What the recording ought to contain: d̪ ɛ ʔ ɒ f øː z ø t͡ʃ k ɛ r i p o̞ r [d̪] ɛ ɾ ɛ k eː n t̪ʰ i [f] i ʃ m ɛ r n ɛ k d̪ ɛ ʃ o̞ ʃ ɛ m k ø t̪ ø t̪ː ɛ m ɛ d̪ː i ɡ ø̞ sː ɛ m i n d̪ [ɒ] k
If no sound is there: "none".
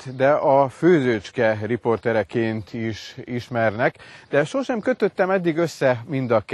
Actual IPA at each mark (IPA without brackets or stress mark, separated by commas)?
t̪, ʃ, ɒ